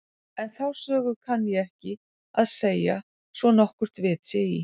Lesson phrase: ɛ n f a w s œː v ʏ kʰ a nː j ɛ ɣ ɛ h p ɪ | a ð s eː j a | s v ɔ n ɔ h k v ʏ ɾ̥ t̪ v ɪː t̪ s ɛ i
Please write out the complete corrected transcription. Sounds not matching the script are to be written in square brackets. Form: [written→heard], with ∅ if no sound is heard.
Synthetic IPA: ɛ n [f→θ] a w s œː [v→ɣ] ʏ kʰ a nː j ɛ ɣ ɛ h [p→c] ɪ | a ð s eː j a | s v ɔ n ɔ h k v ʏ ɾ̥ t̪ v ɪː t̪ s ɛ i